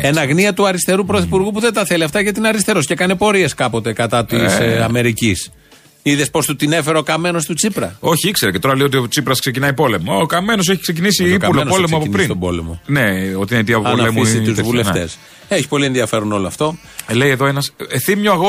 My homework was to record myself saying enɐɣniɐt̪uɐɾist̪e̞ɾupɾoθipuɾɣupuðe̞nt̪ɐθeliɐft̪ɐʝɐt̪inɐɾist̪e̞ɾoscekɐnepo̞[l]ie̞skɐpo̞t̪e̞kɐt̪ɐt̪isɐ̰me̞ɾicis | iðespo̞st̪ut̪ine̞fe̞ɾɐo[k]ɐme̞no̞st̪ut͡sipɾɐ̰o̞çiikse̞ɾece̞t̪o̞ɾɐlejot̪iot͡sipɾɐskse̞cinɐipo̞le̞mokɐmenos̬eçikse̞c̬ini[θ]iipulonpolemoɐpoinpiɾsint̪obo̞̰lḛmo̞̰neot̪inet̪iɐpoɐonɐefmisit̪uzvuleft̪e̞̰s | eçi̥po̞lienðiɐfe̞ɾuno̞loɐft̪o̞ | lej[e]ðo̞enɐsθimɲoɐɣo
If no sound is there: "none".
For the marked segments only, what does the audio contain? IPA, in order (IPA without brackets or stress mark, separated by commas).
ɾ, k, s, e